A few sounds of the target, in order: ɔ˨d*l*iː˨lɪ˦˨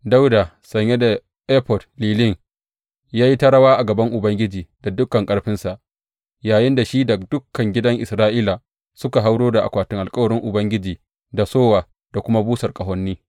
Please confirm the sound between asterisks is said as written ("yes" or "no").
yes